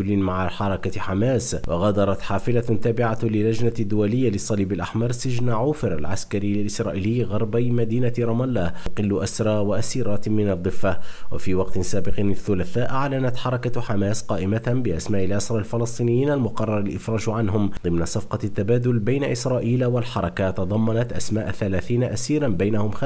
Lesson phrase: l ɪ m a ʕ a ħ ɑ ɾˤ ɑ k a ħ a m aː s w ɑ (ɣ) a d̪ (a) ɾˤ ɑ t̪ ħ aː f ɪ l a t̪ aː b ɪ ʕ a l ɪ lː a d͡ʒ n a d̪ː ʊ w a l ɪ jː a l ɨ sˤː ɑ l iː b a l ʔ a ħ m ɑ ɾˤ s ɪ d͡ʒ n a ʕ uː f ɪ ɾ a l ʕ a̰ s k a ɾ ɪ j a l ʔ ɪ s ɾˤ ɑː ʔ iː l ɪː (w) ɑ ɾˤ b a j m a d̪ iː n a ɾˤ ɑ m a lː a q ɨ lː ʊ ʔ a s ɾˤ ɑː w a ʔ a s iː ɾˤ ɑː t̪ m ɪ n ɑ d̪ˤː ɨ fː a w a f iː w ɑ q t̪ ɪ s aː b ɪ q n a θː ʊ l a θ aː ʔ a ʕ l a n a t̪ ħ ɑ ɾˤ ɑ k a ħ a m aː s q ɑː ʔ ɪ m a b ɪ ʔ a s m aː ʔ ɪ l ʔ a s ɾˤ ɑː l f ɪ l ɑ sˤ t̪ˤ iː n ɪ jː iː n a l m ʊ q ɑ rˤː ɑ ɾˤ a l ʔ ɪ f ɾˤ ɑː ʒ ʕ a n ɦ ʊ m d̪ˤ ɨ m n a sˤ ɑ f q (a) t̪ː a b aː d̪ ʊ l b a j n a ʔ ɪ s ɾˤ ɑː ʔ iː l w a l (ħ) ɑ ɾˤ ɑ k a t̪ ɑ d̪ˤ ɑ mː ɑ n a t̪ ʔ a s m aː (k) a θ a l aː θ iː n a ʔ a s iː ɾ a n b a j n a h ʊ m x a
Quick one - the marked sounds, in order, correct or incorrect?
correct, incorrect: ɑ, incorrect: ɣ, incorrect: ɑ, correct, incorrect: ʔ

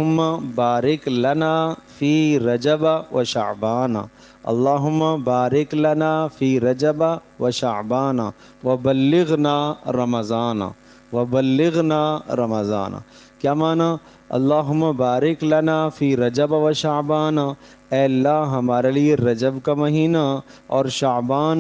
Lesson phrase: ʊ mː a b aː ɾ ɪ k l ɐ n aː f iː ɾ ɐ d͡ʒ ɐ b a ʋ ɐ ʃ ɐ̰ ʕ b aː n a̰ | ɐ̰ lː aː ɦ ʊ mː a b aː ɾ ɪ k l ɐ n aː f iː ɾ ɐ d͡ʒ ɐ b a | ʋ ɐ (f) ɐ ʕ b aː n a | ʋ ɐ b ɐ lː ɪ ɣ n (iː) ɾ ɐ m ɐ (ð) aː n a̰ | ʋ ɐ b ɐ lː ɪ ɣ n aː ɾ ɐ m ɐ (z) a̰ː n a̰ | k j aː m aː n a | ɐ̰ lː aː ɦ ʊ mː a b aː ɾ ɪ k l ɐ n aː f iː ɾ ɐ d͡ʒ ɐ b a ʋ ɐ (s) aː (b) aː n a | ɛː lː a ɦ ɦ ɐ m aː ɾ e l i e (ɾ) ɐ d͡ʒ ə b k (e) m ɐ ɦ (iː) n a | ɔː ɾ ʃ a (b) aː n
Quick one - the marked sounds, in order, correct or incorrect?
incorrect: ʃ, incorrect: aː, incorrect: z, correct, incorrect: ʃ, correct, correct, incorrect: a, correct, correct

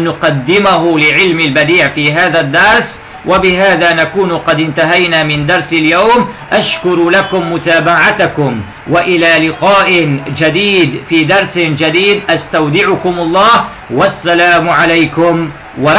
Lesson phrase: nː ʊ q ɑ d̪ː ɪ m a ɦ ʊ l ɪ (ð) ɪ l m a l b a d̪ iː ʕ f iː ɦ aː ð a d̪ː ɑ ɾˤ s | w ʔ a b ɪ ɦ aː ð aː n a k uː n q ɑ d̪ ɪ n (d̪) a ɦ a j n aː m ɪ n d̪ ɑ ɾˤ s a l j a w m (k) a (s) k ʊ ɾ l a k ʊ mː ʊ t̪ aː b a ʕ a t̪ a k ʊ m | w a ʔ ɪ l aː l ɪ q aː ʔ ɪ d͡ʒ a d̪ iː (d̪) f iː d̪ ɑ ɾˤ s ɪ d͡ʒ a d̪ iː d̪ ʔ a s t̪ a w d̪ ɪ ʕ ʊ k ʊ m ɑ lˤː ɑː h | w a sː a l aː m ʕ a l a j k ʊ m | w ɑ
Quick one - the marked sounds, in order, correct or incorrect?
incorrect: ʕ, incorrect: t̪, incorrect: ʔ, incorrect: ʃ, correct

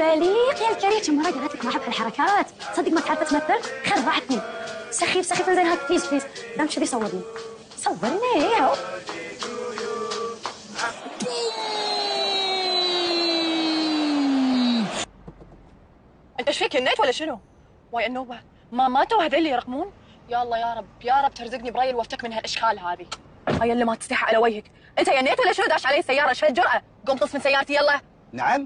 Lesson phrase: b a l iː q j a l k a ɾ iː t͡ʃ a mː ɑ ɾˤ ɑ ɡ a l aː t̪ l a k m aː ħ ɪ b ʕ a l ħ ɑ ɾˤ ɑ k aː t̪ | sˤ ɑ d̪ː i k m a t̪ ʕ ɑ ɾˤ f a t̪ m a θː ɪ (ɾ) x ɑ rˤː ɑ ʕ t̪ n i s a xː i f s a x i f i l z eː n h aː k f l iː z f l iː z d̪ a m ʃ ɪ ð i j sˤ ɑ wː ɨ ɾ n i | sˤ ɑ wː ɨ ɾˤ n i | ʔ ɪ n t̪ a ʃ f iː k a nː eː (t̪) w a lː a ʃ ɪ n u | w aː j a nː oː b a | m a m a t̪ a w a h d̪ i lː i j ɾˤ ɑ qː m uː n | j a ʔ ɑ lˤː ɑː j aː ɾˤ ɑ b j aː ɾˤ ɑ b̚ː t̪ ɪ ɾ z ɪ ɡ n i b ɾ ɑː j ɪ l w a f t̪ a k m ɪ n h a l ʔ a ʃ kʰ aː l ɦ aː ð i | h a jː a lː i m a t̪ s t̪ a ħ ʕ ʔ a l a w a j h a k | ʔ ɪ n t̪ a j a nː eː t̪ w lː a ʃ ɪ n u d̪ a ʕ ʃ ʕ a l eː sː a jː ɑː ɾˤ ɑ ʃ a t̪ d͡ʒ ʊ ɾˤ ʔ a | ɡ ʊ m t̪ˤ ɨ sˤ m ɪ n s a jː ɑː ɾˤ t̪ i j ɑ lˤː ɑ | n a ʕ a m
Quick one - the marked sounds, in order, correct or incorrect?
incorrect: l, correct

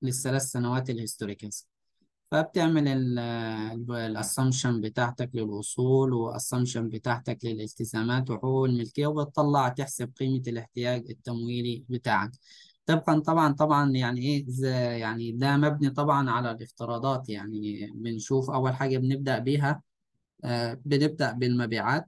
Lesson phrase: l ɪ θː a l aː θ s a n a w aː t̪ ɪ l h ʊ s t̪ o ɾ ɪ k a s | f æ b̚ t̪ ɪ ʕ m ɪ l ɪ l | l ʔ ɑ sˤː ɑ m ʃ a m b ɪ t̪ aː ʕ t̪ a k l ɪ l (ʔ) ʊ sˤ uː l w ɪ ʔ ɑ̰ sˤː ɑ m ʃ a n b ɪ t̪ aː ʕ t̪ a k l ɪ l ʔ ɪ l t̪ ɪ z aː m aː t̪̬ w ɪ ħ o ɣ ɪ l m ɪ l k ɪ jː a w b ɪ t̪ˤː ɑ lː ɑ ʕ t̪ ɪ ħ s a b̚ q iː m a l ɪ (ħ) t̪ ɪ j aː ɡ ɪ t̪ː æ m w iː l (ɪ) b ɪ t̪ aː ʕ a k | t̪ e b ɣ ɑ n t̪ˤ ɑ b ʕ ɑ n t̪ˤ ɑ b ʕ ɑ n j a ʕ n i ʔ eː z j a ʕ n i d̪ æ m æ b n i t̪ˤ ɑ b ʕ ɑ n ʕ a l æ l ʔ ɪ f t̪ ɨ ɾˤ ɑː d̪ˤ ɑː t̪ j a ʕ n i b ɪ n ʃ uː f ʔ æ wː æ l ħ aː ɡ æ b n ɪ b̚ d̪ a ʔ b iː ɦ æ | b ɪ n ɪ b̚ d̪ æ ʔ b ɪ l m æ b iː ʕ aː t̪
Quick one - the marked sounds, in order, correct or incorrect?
correct, correct, incorrect: i

